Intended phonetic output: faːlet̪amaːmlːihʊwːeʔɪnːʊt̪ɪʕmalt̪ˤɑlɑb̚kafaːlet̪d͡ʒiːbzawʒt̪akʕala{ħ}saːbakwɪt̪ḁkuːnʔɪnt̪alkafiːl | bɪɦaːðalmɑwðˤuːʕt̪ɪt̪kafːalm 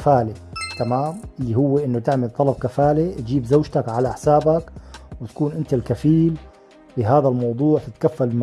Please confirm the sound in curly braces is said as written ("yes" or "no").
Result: yes